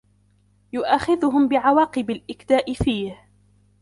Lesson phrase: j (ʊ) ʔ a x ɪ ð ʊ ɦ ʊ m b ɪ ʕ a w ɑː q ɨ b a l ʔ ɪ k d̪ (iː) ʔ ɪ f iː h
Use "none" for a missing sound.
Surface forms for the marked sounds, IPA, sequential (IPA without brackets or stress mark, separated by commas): ʊ, aː